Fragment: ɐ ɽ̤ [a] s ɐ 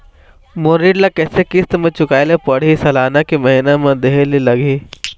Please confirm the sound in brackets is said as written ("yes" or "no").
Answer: no